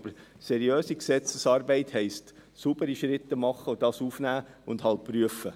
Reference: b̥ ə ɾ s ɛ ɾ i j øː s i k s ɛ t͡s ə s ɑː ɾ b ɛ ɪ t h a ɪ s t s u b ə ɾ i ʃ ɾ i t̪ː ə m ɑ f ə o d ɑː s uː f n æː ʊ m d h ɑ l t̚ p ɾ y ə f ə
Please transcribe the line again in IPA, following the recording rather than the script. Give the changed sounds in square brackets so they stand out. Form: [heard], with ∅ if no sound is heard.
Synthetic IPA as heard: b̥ ə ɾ s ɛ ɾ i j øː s i k s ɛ t͡s ə s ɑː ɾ b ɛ ɪ t h [ɛ] ɪ s t s u b ə ɾ i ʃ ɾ [ɪ] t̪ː ə m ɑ [χ] ə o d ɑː s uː f n æː ʊ [n] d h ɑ l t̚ p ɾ y ə f ə